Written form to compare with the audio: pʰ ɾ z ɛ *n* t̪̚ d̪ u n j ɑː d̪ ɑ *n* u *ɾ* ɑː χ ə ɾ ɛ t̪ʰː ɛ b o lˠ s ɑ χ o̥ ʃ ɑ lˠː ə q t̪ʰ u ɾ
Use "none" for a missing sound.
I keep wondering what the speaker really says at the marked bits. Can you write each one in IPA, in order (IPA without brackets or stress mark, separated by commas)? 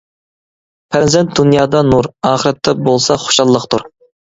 n, n, ɾ